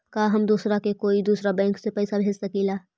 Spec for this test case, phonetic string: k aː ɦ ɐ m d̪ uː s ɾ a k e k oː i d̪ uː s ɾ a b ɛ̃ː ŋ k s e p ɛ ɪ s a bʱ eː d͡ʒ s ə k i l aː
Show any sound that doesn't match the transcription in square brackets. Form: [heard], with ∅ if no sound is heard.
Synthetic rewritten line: k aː ɦ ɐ m d̪ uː s ɾ a k e k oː i d̪ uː s ɾ a b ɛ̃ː ŋ k s e p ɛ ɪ s a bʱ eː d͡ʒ s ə k i l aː